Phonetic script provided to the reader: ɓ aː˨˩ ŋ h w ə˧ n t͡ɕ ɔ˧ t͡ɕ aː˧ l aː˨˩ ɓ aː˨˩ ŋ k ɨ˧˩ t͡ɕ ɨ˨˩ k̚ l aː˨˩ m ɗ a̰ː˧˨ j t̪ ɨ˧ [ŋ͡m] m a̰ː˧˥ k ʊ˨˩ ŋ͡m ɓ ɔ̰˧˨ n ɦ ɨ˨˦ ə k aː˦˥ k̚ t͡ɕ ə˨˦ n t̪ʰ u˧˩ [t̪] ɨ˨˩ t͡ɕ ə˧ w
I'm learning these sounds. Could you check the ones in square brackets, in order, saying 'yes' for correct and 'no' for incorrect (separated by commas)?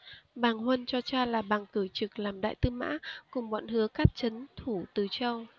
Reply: no, yes